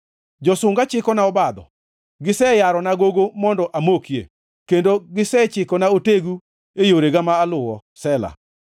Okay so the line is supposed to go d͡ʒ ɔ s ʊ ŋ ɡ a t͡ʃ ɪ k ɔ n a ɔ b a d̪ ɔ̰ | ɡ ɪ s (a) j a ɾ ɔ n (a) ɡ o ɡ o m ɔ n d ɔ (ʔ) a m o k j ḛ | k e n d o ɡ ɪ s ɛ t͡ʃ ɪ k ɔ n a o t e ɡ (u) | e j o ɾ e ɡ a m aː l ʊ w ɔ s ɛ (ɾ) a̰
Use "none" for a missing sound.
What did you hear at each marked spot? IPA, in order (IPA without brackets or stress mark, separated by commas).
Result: ɛ, a, ʔ, u, l